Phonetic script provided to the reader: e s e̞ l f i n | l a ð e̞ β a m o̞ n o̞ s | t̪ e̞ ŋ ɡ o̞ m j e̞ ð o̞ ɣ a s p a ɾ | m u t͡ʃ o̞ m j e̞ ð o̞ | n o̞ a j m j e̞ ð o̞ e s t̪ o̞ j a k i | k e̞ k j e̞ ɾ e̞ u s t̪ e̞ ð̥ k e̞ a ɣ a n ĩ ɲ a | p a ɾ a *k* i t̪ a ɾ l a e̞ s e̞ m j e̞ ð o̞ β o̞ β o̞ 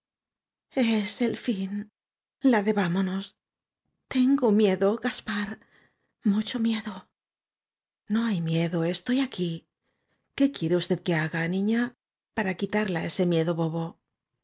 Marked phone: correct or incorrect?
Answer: correct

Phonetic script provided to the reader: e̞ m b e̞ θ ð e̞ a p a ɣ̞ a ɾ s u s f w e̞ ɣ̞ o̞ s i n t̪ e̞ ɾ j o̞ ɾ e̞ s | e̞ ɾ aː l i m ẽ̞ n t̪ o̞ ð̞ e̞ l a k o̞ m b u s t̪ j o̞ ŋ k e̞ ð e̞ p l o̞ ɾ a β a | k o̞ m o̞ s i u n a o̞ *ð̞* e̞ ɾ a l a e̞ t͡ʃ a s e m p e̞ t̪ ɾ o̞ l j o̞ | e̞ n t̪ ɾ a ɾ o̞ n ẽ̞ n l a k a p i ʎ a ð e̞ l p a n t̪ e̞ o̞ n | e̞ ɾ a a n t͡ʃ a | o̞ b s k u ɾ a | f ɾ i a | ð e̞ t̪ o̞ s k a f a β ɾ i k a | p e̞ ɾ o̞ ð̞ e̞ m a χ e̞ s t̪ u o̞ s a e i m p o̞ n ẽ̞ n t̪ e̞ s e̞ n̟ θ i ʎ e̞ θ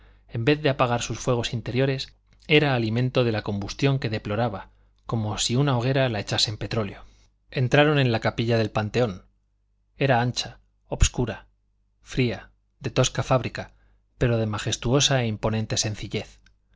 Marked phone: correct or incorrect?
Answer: incorrect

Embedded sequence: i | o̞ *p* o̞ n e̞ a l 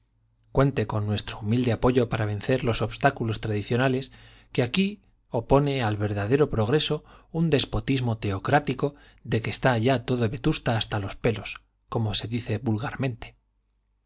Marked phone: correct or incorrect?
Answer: correct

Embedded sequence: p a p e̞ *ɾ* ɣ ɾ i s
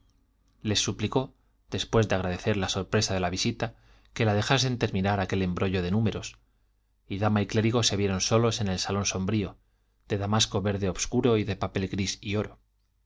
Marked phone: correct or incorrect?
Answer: incorrect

